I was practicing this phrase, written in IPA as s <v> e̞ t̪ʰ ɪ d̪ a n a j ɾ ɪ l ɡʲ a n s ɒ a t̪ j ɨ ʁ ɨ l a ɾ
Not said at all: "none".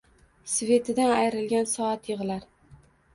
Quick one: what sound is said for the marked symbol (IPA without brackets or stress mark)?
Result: v